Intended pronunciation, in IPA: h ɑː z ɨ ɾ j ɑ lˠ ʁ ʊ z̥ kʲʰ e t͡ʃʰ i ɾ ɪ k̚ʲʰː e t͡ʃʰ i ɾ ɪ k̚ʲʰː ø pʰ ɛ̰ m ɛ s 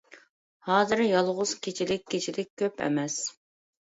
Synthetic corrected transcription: h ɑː z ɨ ɾ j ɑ lˠ ʁ ʊ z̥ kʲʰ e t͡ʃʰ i l ɪ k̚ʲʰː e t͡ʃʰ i l ɪ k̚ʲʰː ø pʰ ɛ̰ m ɛ s